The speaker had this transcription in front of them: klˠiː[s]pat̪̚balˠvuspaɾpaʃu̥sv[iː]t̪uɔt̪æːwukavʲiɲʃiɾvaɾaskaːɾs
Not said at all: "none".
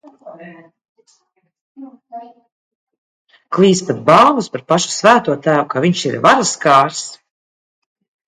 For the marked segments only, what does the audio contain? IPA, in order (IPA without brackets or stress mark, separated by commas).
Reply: s, æː